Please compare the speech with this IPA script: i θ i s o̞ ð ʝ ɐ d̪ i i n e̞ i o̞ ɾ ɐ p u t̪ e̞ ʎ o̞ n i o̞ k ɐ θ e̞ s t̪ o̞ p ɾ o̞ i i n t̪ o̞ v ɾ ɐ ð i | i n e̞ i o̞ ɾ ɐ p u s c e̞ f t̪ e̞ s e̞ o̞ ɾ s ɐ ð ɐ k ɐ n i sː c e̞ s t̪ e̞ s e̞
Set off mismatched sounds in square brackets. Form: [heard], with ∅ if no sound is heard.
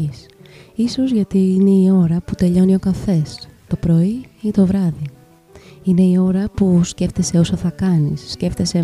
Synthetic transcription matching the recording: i [s] i s o̞ [z] ʝ ɐ [t̪] i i n e̞ i o̞ ɾ ɐ p u t̪ e̞ ʎ o̞ n i o̞ k ɐ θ e̞ s t̪ o̞ p ɾ o̞ i i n t̪ o̞ v ɾ ɐ ð i | i n e̞ i o̞ ɾ ɐ p u s c e̞ f t̪ e̞ s e̞ o̞ [∅] s ɐ [θ] ɐ k ɐ n i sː c e̞ [f] t̪ e̞ s e̞